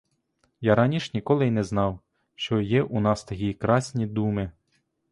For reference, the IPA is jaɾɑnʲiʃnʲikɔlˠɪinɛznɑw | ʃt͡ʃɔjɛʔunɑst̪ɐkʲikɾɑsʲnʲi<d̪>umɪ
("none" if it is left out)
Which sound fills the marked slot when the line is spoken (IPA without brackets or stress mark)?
d̪